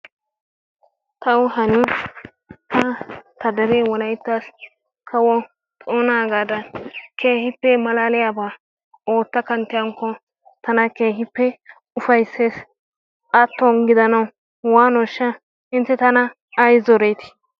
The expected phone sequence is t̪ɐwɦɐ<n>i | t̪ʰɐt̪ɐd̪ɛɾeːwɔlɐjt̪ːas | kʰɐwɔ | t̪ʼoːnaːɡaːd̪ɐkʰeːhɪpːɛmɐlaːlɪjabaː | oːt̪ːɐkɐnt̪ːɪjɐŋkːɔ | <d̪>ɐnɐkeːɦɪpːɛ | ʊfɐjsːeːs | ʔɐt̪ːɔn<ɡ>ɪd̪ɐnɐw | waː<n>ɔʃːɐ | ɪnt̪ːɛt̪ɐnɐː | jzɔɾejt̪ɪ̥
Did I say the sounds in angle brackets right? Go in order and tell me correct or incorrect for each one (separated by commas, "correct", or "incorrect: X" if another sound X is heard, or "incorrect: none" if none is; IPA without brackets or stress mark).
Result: correct, incorrect: t̪, correct, correct